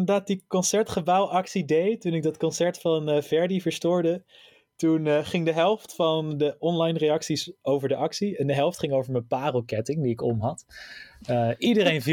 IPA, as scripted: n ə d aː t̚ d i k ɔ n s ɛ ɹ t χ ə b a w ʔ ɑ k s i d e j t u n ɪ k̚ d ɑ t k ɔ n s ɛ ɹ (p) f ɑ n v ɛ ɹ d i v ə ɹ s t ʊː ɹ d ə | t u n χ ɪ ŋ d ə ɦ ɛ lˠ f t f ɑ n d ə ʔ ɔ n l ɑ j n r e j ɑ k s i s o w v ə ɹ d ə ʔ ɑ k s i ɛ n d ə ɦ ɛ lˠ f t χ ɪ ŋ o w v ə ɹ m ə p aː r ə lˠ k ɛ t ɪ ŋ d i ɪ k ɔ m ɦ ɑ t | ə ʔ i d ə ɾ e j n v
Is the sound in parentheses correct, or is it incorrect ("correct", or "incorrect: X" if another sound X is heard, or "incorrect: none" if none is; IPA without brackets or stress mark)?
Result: incorrect: t